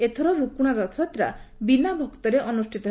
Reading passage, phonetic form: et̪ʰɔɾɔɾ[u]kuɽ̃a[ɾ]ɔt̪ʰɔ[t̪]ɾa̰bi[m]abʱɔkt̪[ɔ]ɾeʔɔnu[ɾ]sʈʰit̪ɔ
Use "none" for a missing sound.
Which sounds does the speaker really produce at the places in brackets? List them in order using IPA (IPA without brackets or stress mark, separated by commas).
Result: u, ɾ, t̪, n, ɔ, none